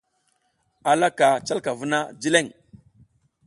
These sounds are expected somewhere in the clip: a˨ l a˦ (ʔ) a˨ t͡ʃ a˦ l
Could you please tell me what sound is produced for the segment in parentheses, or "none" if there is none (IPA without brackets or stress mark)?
k